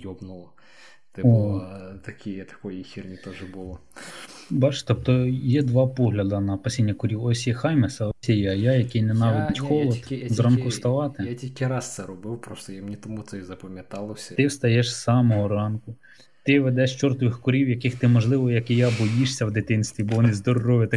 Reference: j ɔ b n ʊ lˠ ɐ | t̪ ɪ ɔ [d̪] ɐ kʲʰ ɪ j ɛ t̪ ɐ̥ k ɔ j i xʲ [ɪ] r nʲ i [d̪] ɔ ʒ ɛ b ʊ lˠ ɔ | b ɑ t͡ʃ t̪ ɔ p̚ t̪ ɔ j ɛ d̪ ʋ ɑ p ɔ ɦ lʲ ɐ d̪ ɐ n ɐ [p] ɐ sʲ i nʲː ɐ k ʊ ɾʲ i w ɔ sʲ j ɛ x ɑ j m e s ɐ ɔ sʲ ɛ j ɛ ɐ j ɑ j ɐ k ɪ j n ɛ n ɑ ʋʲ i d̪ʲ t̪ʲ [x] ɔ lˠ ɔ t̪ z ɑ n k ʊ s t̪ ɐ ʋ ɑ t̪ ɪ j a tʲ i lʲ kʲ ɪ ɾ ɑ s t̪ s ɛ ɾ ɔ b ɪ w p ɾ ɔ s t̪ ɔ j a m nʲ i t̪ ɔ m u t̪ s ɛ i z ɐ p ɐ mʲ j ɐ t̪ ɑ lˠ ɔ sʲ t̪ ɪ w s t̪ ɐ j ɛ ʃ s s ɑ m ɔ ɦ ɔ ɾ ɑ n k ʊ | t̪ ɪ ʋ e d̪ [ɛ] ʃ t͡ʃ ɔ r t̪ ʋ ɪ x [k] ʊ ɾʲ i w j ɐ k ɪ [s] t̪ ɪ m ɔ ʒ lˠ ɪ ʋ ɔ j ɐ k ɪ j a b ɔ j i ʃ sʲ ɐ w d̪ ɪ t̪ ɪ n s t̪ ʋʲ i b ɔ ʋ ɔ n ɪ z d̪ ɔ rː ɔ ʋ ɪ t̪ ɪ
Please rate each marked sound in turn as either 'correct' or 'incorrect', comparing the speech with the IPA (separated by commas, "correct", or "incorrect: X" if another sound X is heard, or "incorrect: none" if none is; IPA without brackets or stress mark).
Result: incorrect: t̪, incorrect: i, incorrect: t̪, correct, correct, correct, correct, incorrect: x